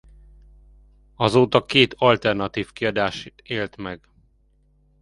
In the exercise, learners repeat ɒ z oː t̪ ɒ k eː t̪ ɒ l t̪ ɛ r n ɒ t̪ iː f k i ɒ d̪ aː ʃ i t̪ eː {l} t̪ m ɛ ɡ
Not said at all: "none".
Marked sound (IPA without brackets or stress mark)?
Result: l